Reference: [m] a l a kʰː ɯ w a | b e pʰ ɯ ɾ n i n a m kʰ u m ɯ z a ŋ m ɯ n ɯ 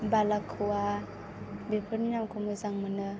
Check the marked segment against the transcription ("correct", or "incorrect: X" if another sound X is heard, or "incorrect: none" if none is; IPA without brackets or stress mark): incorrect: b